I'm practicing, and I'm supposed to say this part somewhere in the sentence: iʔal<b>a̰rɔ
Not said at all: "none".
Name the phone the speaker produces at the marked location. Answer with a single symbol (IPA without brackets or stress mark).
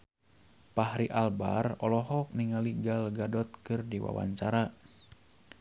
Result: b